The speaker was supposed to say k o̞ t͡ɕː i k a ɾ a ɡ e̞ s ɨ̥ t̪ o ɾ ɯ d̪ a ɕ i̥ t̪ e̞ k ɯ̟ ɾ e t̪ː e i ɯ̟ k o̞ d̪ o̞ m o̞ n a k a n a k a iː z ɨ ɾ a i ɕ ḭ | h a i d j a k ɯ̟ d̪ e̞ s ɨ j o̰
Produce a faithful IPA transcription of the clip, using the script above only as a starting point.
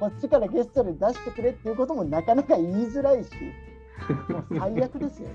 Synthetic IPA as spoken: k o̞ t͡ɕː i k a ɾ a ɡ e̞ s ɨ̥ t̪ o ɾ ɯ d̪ a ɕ i̥ t̪ e̞ k ɯ̟ ɾ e t̪ː e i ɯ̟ k o̞ t̪ o̞ m o̞ n a k a n a k a iː z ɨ ɾ a i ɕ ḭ | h a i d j a k ɯ̟ d̪ e̞ s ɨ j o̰